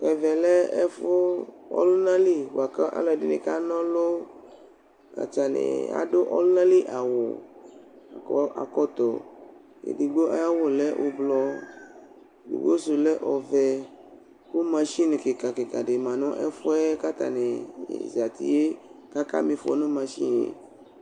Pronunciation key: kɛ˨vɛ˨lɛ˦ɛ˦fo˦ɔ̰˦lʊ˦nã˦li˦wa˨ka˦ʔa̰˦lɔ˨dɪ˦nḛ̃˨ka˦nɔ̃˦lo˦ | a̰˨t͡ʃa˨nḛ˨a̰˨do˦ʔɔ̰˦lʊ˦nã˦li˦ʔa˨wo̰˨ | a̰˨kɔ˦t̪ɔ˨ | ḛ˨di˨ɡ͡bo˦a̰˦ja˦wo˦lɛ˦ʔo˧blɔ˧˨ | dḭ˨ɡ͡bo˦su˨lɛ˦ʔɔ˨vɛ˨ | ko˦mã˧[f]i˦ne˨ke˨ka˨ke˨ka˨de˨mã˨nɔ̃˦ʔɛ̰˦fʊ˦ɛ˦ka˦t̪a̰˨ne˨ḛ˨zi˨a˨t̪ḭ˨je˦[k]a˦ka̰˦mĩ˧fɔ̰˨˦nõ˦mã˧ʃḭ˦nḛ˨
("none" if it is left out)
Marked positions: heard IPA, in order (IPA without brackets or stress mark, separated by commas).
ʃ, k